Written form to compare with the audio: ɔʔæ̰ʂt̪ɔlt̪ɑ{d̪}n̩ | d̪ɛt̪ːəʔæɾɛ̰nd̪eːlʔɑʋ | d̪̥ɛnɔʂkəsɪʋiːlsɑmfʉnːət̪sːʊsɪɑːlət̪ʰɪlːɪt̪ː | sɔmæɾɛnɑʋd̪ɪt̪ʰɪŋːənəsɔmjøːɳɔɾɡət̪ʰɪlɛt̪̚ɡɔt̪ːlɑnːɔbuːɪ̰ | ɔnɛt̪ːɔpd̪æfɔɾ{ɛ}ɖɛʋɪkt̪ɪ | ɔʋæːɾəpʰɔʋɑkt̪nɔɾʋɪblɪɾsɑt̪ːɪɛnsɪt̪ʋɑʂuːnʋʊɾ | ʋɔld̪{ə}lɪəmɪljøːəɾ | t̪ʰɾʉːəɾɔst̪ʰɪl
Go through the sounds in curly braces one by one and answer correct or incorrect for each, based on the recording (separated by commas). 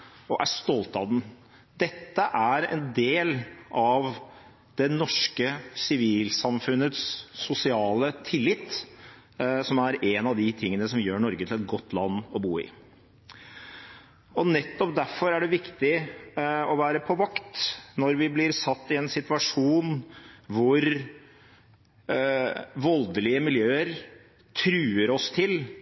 correct, incorrect, correct